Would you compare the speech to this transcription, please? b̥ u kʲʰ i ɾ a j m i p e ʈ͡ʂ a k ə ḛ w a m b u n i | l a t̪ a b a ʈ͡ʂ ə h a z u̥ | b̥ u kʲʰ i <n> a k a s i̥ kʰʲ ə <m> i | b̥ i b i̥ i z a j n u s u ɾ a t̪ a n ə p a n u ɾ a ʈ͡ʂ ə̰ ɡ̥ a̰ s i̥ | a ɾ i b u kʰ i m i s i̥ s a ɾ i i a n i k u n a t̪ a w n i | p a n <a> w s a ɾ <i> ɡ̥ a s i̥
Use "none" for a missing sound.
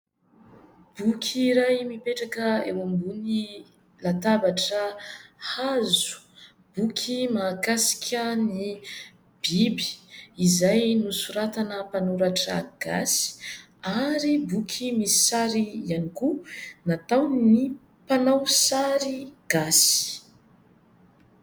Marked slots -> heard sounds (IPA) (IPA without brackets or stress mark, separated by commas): m, n, a, i